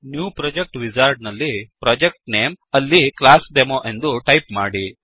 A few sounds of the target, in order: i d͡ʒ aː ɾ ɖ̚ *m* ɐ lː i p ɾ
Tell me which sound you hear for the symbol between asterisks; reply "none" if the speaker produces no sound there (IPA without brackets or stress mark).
n